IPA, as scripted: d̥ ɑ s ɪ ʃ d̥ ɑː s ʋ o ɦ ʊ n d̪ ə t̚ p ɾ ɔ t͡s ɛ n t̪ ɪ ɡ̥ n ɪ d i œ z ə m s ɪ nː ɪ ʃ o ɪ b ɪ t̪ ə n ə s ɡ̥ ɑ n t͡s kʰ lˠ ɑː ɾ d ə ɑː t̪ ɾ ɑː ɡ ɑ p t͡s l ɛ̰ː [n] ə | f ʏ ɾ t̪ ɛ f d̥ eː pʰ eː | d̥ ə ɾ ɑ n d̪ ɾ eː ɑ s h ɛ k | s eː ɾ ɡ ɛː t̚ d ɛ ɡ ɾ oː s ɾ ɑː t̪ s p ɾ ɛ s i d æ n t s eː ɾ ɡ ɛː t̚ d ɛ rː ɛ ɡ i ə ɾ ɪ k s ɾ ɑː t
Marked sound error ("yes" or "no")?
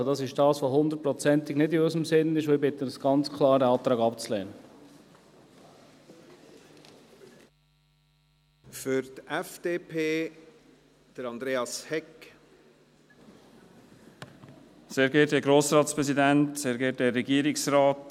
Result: no